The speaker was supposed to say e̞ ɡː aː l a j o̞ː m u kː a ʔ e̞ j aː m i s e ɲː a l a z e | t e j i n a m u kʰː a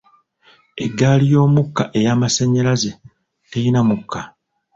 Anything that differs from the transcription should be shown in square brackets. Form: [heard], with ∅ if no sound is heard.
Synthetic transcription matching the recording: e̞ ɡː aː l [i] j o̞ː m u kː a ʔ e̞ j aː m [a] s e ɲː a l a z e | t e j i n a m u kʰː a